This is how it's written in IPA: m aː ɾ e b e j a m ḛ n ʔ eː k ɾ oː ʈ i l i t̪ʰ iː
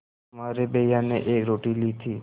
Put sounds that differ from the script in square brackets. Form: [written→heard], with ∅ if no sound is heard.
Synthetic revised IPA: m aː ɾ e b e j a [m→n] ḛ [n→∅] ʔ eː k ɾ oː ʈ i l i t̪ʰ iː